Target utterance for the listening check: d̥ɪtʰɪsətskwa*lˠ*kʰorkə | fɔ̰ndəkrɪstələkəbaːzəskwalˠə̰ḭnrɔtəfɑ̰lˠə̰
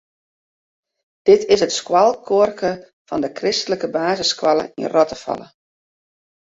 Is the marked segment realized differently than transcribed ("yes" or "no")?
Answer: no